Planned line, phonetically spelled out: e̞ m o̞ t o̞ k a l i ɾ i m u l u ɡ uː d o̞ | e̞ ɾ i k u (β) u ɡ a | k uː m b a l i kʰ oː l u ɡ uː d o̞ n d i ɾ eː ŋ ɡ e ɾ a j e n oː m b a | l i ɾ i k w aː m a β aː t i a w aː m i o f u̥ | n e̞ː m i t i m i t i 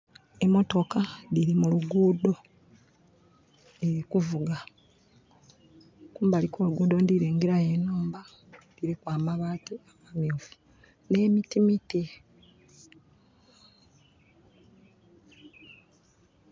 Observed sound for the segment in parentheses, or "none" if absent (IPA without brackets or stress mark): v